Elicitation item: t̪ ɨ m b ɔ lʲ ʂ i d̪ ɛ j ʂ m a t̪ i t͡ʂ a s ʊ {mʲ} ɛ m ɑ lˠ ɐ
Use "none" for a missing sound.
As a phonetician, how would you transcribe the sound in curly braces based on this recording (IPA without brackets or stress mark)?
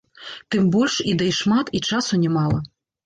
nʲ